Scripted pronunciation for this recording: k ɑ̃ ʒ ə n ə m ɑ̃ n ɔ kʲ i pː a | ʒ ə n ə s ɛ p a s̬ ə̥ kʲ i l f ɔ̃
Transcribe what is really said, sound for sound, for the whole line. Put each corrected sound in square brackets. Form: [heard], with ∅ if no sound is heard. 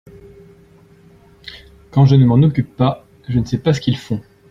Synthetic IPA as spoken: k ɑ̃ ʒ ə n ə m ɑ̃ n ɔ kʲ [y] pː a | ʒ ə n ə s ɛ p a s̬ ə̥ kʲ i l f ɔ̃